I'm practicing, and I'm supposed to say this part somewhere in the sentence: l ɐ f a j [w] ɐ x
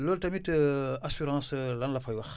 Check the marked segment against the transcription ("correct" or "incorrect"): correct